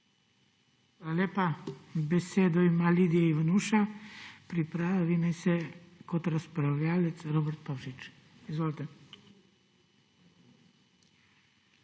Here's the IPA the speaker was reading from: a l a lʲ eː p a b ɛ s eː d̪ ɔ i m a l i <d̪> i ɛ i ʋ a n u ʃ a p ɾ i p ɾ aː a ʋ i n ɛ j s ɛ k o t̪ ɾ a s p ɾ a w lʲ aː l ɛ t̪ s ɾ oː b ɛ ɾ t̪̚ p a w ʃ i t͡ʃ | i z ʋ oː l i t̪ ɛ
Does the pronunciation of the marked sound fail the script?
no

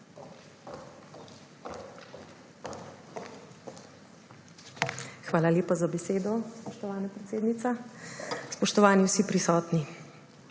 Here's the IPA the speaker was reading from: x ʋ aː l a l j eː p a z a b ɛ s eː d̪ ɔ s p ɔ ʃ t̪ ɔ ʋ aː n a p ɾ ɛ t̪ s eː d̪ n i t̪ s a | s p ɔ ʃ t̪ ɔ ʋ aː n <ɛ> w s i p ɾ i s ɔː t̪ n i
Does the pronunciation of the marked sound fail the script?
yes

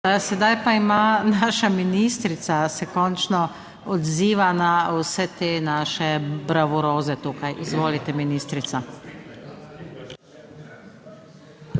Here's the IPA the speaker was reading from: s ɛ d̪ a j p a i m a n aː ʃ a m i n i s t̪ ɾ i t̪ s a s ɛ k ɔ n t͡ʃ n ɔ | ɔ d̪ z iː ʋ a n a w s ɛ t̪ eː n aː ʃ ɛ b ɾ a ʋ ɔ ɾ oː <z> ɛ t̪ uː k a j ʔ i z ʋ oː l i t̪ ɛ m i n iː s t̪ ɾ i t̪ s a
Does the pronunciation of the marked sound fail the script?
no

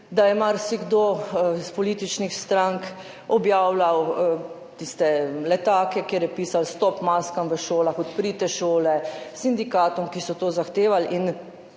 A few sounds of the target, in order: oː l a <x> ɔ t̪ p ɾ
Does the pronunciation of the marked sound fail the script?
no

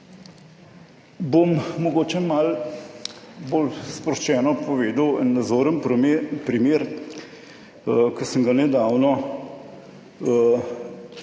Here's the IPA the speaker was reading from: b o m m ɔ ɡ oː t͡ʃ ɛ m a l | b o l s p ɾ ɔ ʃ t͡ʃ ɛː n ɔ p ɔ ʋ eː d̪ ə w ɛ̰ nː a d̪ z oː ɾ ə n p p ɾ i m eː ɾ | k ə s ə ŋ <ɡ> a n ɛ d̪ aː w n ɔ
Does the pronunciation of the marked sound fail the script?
no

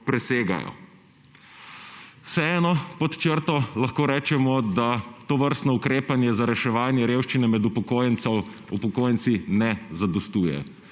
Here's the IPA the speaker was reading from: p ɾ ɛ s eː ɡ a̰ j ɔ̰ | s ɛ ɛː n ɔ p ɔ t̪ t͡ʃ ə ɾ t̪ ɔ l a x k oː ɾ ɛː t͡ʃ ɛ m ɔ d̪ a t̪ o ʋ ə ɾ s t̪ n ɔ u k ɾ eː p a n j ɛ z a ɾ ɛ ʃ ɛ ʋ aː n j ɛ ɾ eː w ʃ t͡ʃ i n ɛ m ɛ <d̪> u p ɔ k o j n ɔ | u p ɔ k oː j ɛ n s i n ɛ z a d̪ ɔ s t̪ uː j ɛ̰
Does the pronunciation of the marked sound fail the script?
no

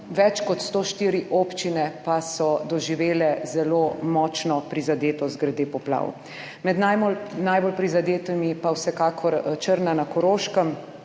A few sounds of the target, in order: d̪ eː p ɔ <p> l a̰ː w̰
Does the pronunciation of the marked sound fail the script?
no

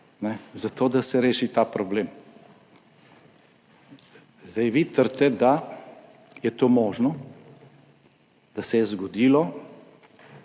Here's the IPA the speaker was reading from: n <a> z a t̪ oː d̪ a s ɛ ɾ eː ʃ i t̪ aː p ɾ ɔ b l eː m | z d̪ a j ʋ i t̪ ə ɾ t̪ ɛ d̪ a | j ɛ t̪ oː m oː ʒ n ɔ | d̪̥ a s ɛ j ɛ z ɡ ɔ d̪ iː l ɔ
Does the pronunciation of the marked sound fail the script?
yes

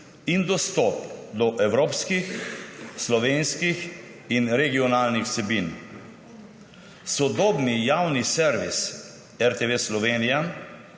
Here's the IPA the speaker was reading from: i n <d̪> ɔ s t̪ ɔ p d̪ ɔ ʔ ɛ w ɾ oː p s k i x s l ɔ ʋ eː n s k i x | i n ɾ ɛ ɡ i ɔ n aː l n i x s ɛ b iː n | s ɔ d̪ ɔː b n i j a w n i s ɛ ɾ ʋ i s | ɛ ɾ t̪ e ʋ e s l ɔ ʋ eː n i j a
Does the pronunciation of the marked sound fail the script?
no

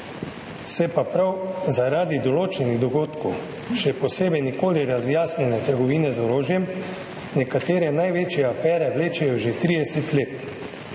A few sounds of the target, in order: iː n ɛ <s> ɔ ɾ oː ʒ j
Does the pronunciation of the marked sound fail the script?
yes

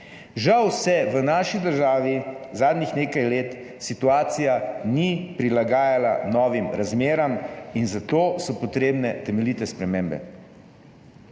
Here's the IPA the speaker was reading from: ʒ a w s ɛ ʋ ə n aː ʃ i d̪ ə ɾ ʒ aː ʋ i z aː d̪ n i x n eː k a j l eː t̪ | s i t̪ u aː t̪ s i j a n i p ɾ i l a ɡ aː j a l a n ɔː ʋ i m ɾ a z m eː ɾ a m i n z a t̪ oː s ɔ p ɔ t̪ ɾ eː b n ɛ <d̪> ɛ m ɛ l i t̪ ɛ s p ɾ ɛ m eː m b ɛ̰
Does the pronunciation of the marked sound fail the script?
yes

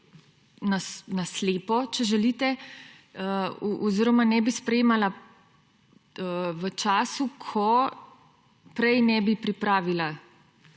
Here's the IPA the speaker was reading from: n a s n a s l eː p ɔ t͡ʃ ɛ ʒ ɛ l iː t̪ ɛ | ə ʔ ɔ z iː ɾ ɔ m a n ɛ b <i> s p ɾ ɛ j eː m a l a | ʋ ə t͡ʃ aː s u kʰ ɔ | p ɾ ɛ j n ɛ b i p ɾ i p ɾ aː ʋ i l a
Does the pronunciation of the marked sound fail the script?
no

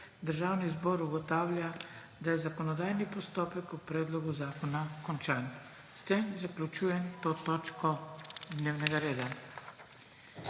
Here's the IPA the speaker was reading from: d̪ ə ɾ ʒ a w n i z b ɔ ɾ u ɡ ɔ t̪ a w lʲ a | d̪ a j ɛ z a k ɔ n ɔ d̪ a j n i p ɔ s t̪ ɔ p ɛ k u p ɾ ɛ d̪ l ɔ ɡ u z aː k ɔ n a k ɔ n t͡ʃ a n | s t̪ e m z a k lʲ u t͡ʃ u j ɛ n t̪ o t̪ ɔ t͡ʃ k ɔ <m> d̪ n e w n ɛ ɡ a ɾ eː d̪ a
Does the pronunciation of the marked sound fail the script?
yes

